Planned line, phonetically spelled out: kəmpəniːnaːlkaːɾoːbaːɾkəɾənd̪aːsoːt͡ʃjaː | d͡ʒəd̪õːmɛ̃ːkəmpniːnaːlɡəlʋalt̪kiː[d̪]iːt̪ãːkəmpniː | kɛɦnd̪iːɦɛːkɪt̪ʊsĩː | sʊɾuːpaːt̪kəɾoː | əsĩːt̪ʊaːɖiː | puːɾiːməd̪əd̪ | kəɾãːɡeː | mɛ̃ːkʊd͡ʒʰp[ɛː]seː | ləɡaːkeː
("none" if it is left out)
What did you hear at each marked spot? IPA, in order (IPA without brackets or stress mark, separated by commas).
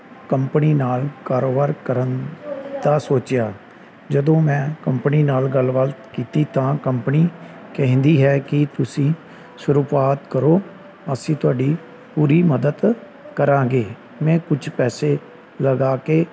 t̪, ɛː